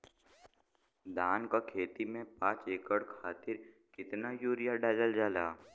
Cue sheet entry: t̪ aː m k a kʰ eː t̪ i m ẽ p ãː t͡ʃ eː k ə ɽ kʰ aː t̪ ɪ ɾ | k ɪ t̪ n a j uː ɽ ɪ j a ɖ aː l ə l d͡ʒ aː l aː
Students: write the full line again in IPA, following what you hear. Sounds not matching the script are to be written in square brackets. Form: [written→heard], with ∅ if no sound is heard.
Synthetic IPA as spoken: [t̪→d̪] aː [m→n] k a kʰ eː t̪ i m ẽ p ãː t͡ʃ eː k ə ɽ kʰ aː t̪ ɪ ɾ | k ɪ t̪ n a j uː [ɽ→ɾ] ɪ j a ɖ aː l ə l d͡ʒ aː l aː